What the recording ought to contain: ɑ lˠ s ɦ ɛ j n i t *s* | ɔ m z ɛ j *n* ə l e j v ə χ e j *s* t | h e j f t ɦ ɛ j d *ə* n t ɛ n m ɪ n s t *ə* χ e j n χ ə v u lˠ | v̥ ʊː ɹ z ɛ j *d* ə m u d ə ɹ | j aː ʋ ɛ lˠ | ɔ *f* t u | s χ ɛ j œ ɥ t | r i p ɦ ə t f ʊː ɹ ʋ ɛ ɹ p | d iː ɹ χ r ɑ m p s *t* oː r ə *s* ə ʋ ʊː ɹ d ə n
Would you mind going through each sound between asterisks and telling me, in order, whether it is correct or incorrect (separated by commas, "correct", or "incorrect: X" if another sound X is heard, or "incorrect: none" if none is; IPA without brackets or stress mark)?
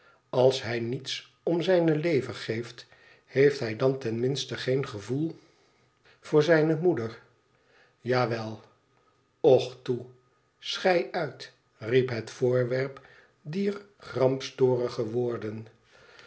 correct, correct, incorrect: f, incorrect: ɑ, correct, incorrect: n, incorrect: χ, correct, incorrect: χ